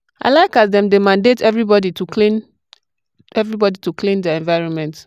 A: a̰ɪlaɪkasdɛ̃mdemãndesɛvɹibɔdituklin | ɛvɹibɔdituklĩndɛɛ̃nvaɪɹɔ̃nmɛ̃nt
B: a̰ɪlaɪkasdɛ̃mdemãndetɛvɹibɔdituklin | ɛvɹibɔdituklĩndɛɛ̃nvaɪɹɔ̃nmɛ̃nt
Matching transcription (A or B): B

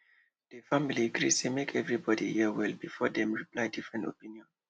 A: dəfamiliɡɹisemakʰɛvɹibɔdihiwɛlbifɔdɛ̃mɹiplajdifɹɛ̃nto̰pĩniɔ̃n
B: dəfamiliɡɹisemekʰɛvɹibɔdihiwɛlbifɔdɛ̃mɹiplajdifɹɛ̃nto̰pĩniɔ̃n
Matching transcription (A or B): B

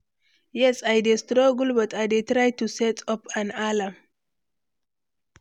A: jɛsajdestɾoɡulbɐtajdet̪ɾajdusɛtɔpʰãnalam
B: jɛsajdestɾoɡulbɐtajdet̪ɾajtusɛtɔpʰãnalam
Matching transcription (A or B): B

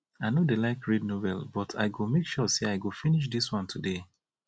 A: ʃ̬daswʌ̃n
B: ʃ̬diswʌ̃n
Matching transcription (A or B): B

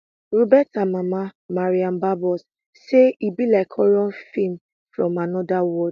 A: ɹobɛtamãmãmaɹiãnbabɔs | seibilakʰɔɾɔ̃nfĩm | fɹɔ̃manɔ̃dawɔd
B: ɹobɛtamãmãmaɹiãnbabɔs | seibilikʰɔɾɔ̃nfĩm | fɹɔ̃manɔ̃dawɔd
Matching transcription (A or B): A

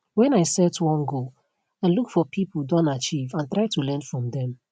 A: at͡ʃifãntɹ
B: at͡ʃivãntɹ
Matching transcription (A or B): B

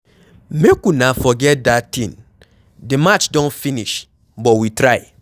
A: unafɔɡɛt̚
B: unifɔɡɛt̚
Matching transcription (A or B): A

